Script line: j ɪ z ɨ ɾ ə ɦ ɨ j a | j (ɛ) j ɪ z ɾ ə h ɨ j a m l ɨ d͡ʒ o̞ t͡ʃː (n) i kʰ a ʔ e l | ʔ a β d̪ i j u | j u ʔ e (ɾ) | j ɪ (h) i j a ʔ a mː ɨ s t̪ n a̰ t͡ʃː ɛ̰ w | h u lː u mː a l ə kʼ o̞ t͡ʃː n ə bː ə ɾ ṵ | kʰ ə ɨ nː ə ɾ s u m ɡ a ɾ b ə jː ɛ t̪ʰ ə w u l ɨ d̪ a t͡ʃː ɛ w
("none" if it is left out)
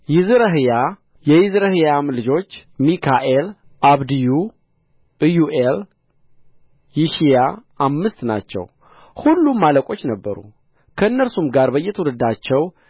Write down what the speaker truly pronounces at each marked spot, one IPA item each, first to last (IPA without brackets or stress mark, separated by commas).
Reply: ɛ, m, l, ʃ